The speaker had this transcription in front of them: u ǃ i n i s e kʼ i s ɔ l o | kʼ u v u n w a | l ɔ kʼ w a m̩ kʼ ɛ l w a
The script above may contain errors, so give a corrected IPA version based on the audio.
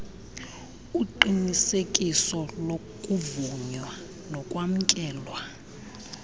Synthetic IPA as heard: u ǃ i n i s e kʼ i s ɔ l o | kʼ u v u ɲ w a | l ɔ kʼ w a m̩ kʼ ɛː l w a